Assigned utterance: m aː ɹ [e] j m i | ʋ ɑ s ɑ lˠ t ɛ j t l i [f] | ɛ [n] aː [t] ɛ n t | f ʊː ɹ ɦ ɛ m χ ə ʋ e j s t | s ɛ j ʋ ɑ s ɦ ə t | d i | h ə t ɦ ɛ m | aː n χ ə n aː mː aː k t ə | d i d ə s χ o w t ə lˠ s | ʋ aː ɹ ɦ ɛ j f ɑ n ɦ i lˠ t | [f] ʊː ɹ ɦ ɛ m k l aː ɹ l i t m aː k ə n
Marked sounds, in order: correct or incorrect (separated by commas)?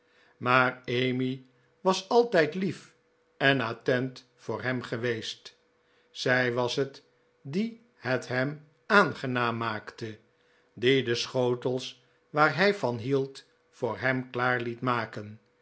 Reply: correct, correct, correct, correct, correct